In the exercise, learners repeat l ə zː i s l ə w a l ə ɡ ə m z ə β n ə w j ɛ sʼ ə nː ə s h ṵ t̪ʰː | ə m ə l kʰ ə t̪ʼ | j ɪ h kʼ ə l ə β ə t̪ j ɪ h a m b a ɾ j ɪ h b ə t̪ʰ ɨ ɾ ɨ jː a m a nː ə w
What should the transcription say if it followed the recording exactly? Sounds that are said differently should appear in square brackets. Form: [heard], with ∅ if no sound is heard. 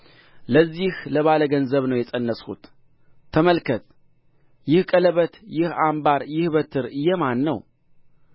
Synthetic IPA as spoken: l ə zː i [h] l ə [β] a l ə ɡ ə [n] z ə β n ə w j ɛ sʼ ə nː ə s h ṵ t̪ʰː | ə m ə l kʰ ə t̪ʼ | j ɪ h kʼ ə l ə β ə t̪ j ɪ h a m b a ɾ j ɪ h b ə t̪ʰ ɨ ɾ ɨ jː [ɛ] m a nː ə w